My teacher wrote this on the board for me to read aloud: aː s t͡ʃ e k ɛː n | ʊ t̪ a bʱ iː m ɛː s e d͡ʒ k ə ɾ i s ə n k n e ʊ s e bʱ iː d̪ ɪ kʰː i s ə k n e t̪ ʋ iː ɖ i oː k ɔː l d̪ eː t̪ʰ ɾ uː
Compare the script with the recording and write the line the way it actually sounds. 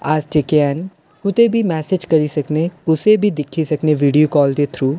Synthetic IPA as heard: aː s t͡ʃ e k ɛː n | ʊ t̪ e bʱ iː m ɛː s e d͡ʒ k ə ɾ i s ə k n e ʊ s e bʱ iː d̪ ɪ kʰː i s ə k n e ʋ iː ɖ i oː k ɔː l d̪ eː t̪ʰ ɾ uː